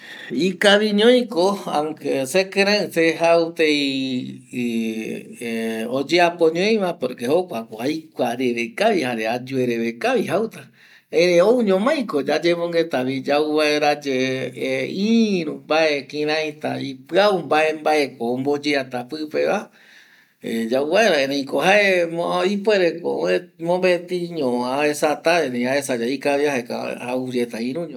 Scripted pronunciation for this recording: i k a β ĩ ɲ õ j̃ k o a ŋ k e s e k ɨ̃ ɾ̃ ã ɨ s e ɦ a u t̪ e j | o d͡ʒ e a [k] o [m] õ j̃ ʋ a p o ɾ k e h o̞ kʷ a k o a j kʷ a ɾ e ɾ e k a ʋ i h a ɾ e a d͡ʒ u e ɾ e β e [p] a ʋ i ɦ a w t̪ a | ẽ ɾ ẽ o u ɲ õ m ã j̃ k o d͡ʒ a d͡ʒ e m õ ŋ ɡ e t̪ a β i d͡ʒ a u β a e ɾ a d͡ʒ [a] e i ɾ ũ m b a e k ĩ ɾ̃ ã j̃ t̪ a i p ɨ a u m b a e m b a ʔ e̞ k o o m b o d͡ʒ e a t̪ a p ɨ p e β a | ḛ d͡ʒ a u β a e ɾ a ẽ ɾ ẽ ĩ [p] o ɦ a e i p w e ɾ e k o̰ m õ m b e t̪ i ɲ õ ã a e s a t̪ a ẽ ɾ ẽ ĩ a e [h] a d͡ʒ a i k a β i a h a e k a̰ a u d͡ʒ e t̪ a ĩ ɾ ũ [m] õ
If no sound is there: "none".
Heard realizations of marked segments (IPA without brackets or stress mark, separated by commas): p, ɲ, k, e, k, s, ɲ